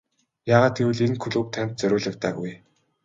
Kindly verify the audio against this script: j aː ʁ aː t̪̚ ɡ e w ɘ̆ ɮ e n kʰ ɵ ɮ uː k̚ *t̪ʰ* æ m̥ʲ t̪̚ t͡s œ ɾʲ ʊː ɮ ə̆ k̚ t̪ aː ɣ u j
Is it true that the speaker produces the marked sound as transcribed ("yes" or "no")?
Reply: yes